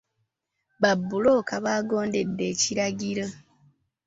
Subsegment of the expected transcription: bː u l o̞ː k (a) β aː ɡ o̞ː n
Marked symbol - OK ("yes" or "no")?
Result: yes